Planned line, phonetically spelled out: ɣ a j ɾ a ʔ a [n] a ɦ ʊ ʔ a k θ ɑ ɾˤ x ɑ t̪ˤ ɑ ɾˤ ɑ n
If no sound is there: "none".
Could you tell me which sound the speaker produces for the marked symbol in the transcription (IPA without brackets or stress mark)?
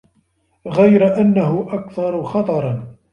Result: nː